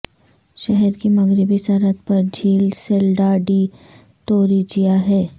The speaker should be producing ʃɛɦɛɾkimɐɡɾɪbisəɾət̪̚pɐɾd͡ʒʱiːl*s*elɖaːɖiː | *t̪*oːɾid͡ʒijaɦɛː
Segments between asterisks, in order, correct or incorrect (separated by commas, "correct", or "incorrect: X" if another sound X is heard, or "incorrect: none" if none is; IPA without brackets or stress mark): correct, correct